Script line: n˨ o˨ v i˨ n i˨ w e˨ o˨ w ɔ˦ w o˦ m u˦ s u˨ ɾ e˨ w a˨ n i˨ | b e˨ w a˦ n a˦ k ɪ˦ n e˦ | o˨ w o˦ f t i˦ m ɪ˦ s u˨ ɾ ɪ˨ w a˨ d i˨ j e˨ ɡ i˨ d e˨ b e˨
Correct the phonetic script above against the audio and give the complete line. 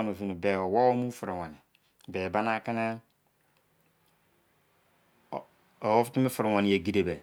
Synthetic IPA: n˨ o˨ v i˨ n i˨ b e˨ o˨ w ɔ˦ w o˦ m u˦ f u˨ ɾ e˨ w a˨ n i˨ | b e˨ b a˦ n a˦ k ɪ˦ n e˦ | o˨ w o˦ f t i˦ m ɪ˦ f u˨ ɾ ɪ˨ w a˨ n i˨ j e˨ ɡ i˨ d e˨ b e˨

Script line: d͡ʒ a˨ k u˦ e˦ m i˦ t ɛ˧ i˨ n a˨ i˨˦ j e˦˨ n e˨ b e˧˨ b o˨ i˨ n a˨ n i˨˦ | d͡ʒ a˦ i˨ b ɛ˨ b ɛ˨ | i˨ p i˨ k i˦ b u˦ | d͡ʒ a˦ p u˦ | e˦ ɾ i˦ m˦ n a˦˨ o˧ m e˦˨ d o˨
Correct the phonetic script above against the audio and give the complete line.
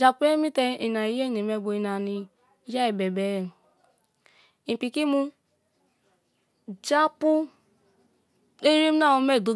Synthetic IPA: d͡ʒ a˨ p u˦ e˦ m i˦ t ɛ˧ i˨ n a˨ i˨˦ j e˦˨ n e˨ m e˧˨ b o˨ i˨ n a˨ n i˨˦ | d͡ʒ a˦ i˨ b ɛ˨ b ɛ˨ | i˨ p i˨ k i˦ m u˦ | d͡ʒ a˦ p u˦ | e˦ ɾ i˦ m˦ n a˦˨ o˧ m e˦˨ d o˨

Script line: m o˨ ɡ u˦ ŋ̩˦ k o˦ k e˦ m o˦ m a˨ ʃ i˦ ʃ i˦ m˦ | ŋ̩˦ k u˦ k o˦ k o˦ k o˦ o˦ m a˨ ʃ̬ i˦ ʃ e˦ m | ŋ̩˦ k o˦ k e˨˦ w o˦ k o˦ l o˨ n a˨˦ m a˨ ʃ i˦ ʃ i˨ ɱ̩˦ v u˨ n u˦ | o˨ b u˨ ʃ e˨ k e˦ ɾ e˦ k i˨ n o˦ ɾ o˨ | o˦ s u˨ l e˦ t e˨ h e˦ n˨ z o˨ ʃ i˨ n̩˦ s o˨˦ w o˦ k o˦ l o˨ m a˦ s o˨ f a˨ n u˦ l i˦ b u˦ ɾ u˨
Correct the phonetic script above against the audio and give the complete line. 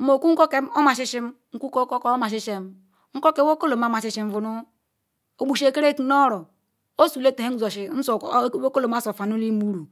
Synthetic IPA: m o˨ k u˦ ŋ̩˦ k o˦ k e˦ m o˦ m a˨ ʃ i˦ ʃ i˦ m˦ | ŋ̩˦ k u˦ k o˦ k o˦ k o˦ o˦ m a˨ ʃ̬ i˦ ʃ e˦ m | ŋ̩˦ k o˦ k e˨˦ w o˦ k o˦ l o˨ m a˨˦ m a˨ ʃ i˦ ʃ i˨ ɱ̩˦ v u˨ n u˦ | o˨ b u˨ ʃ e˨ k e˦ ɾ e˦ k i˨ n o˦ ɾ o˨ | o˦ s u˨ l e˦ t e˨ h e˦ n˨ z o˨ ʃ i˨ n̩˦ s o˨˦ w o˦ k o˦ l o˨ m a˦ s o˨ f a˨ n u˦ l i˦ m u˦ ɾ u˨

